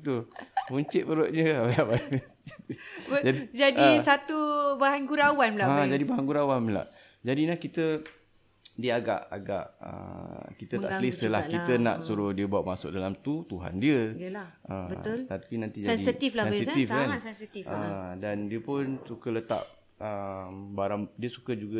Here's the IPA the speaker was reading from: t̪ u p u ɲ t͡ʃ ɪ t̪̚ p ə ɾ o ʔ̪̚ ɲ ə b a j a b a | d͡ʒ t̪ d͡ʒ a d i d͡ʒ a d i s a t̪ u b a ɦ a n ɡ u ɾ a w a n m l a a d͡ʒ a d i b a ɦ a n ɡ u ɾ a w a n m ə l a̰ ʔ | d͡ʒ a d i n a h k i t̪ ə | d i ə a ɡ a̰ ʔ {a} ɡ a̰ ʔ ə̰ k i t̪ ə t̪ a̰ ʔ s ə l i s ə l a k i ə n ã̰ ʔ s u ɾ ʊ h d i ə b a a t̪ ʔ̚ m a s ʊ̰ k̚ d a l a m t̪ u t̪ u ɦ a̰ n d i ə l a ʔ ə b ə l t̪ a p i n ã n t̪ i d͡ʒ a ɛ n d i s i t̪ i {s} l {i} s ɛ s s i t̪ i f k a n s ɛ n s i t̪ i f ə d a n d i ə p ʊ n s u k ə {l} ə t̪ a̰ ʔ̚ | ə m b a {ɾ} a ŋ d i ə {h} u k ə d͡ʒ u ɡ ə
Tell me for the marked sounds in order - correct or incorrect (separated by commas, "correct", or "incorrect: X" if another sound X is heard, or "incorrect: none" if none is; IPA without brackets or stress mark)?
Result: correct, incorrect: f, incorrect: a, correct, correct, incorrect: s